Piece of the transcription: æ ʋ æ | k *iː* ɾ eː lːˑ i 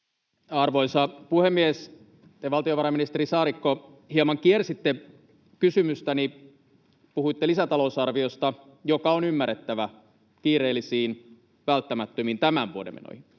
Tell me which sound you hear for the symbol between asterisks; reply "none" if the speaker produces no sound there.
iː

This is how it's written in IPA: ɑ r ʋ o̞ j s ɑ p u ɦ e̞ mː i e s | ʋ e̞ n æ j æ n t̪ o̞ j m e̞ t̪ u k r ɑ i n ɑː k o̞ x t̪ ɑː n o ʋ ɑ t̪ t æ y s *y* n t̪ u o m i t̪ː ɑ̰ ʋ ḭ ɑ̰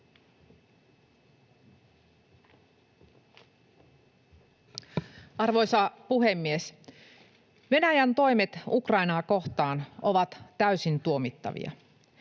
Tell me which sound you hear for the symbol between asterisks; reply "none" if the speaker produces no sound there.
i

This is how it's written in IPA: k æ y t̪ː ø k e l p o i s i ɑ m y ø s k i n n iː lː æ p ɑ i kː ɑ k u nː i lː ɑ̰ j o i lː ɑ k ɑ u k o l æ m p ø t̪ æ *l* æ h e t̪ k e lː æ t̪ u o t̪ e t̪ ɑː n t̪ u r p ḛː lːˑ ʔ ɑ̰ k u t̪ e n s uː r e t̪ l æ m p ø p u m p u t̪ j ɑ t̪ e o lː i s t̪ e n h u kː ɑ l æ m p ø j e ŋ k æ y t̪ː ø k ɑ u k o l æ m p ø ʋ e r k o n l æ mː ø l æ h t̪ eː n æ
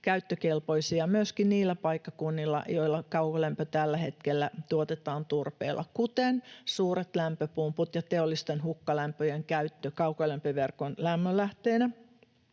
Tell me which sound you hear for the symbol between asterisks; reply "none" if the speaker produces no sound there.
lː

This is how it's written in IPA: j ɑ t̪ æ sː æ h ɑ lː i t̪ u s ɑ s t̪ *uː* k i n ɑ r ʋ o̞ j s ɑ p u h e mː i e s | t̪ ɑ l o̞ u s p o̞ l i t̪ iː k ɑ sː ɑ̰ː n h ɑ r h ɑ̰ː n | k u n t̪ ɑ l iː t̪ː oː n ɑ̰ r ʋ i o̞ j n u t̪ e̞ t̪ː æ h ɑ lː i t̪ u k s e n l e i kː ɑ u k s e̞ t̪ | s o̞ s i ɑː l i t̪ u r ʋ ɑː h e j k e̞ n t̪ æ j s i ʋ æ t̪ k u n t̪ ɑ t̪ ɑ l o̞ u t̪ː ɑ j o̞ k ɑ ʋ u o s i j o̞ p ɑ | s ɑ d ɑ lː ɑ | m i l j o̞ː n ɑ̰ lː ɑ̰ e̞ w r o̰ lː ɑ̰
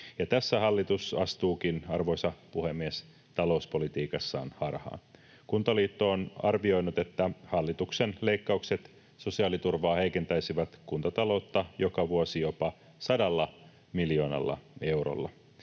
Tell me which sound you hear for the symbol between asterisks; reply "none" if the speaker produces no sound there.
uː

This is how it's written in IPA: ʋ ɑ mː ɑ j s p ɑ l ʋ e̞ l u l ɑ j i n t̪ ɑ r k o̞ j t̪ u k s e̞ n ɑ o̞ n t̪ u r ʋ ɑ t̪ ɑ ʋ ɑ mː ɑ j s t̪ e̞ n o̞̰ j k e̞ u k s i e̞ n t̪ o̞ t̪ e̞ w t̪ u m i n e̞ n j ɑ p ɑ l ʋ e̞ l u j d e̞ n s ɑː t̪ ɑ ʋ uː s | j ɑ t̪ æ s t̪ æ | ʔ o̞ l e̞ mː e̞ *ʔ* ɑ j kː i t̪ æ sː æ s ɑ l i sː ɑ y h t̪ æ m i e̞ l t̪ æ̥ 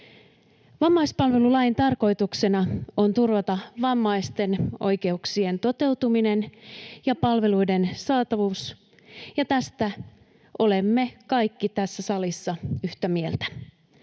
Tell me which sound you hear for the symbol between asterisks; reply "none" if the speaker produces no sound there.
k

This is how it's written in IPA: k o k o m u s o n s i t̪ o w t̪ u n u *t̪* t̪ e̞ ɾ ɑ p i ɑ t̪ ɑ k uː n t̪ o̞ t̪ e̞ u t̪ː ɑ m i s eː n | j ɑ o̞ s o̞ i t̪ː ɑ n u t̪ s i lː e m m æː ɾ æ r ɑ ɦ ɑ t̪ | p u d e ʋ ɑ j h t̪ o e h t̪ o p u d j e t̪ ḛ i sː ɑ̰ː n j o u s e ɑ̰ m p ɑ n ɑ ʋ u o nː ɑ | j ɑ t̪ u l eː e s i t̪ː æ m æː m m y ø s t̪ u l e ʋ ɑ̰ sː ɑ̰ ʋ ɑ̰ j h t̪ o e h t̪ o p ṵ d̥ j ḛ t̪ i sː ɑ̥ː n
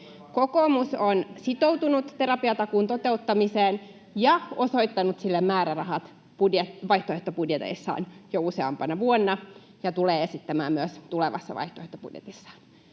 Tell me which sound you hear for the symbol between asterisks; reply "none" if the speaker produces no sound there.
t̪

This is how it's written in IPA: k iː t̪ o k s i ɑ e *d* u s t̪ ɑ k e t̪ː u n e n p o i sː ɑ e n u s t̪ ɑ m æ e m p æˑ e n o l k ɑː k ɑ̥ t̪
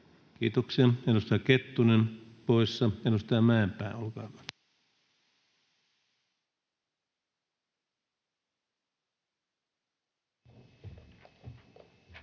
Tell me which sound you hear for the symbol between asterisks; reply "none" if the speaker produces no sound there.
n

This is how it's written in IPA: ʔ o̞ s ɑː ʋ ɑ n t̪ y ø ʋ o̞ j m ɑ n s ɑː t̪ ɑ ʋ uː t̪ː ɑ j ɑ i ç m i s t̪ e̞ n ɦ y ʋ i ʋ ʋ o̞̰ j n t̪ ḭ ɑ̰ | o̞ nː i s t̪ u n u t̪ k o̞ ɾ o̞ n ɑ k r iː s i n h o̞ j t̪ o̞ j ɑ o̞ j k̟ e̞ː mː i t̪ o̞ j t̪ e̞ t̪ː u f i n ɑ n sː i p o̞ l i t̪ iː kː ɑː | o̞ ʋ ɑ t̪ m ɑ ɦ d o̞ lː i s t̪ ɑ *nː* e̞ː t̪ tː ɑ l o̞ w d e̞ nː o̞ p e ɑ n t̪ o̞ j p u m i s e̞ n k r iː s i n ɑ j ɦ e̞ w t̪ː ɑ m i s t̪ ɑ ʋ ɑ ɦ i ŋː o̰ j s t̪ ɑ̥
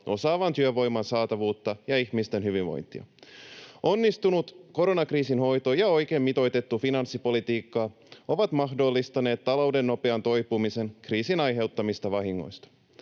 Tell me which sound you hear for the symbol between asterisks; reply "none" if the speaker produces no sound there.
n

